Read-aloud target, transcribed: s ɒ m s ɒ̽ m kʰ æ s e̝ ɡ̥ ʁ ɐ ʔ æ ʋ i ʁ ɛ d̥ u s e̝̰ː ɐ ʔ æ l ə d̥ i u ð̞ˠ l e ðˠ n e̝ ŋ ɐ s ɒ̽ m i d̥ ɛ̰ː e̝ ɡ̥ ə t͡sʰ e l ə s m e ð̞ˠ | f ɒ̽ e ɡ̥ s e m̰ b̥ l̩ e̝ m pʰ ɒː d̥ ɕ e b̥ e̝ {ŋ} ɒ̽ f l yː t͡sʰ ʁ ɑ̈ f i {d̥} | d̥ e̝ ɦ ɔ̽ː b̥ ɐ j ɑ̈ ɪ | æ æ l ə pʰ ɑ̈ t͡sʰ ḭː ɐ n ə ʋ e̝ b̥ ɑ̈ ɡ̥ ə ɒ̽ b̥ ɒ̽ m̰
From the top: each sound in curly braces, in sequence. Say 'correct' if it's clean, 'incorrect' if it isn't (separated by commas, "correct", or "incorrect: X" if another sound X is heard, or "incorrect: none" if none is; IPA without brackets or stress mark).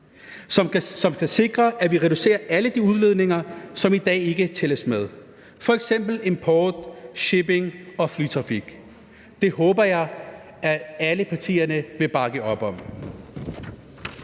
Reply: correct, incorrect: ɡ̥